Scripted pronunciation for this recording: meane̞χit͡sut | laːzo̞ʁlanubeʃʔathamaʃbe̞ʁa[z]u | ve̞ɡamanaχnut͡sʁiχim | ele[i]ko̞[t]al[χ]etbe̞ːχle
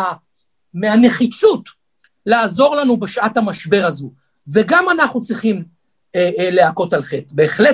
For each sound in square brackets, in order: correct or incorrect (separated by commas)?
correct, incorrect, correct, correct